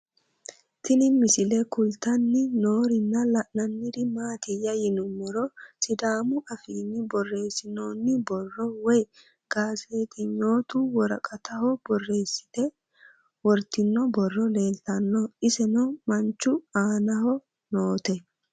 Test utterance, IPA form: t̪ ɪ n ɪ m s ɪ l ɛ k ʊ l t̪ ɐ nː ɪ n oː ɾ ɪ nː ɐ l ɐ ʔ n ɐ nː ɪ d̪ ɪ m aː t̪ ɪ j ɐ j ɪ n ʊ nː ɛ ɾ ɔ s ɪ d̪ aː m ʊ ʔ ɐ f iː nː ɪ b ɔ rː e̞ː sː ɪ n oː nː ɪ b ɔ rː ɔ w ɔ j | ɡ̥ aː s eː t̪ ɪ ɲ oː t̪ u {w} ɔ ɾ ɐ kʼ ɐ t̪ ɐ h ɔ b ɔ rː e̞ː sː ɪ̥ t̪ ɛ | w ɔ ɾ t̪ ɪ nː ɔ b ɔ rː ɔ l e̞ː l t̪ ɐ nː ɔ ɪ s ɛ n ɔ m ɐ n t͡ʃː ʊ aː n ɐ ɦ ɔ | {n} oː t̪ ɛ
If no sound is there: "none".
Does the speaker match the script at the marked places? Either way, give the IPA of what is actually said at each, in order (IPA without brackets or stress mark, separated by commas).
w, n